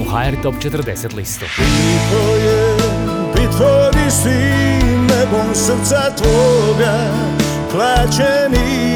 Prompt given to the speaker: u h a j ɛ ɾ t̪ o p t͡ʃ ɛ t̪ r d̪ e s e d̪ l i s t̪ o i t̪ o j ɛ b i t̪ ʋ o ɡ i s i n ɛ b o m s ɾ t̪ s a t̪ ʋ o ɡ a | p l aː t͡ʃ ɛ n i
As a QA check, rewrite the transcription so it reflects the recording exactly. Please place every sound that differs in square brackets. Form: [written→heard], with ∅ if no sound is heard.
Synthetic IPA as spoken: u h a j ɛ ɾ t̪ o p t͡ʃ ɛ t̪ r d̪ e s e [d̪→t̪] l i s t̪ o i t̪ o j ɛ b i t̪ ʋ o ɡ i s i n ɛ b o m s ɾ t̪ s a t̪ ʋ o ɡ a | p l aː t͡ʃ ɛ n i